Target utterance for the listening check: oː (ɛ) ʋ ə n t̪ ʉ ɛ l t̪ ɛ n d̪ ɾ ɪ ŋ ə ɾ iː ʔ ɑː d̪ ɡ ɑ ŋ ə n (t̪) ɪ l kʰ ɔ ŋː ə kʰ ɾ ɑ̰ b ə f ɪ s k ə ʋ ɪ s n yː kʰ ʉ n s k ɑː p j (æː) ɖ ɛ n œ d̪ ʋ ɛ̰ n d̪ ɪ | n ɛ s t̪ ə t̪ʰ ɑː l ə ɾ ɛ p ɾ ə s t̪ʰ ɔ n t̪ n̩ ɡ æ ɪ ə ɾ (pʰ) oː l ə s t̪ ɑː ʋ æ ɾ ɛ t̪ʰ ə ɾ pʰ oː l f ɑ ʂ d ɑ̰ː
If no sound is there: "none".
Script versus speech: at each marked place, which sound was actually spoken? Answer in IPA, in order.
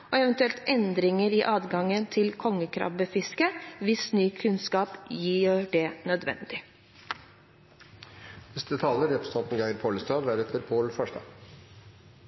ɛ, t̪ʰ, iː, pʰ

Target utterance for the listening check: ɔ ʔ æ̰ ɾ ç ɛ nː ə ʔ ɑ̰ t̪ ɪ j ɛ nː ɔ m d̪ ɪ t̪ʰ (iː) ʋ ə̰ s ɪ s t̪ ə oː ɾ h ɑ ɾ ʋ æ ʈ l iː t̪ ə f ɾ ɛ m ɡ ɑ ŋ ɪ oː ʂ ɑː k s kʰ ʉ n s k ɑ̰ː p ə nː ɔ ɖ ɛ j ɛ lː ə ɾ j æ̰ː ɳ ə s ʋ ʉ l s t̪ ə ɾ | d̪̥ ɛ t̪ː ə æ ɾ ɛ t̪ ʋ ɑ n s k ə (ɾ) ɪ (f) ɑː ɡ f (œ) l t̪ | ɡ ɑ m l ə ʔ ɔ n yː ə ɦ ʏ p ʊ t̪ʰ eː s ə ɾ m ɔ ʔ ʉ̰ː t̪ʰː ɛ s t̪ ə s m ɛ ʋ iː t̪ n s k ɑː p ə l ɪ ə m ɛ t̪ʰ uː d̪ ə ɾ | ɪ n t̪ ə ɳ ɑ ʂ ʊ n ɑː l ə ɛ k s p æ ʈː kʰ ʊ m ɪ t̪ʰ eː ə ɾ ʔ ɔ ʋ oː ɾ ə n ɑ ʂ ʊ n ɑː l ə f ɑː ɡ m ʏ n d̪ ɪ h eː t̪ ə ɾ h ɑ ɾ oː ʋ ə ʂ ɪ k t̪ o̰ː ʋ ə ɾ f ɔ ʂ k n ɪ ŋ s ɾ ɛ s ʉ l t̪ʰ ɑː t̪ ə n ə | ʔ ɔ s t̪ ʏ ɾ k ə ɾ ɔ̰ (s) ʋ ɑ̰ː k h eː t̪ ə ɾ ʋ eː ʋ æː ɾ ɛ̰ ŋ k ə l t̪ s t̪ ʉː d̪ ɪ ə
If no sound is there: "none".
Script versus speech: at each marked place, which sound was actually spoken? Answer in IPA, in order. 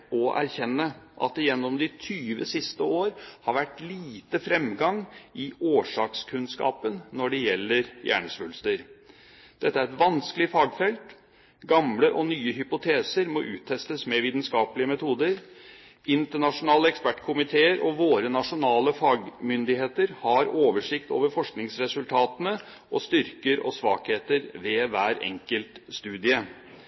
yː, l, f, ɛ, s

